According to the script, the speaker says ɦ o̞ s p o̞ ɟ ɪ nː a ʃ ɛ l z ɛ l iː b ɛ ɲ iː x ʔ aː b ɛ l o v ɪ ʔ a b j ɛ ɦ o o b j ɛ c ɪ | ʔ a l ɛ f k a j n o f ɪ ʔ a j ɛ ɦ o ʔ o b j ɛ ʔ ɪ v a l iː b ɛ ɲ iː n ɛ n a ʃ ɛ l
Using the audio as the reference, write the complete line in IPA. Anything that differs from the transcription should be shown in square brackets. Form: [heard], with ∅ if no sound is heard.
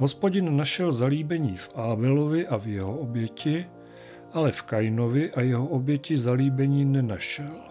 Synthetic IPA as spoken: ɦ o̞ s p o̞ ɟ ɪ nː a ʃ ɛ l z [a] l iː b ɛ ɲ iː [f] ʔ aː b ɛ l o v ɪ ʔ a [v] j ɛ ɦ o o b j ɛ c ɪ | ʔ a l ɛ f k a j n o [v] ɪ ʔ a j ɛ ɦ o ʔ o b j ɛ [c] ɪ [z] a l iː b ɛ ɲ iː n ɛ n a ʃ ɛ l